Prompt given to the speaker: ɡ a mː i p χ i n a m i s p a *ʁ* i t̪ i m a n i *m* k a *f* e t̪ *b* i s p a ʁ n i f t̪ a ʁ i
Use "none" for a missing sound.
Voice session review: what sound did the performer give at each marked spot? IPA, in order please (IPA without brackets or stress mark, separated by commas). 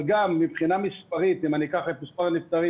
ʁ, none, χ, m